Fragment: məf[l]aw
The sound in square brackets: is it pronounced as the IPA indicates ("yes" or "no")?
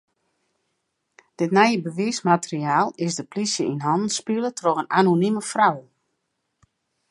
no